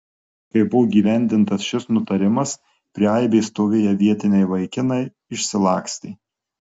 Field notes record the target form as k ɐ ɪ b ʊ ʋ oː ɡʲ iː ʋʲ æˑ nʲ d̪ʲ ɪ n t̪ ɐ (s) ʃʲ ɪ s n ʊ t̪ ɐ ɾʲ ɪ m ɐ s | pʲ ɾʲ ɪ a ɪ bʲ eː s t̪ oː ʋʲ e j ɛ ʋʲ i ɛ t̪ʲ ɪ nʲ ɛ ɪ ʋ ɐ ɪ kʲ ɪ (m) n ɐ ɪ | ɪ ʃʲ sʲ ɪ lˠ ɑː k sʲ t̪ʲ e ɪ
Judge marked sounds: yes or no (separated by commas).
yes, no